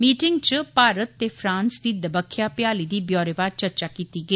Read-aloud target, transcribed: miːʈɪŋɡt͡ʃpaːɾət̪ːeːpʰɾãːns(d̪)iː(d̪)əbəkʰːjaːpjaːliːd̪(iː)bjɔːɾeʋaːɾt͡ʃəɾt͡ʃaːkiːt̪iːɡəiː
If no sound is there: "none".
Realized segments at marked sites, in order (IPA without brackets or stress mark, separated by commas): d̪, d̪, iː